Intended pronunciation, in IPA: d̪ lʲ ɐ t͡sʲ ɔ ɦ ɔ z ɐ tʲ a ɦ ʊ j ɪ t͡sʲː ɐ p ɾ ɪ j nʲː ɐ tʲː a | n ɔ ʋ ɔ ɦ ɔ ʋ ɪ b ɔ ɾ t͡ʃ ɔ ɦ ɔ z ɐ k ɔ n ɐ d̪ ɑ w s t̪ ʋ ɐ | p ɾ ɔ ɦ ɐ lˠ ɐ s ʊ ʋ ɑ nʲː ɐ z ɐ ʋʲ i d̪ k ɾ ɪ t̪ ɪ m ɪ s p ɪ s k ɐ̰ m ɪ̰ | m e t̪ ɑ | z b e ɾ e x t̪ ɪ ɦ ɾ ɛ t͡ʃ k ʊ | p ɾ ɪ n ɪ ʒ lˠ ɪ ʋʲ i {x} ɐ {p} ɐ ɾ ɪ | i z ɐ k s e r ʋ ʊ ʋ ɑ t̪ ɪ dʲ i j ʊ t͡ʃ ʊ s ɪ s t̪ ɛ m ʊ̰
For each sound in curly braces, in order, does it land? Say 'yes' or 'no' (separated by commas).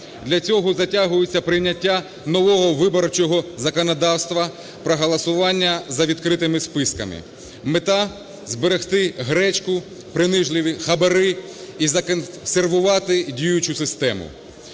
yes, no